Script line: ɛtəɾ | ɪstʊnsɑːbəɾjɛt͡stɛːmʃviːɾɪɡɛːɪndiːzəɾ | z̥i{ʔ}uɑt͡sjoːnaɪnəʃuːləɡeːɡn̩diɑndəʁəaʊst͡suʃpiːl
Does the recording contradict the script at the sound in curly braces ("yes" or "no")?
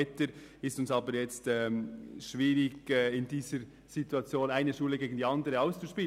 yes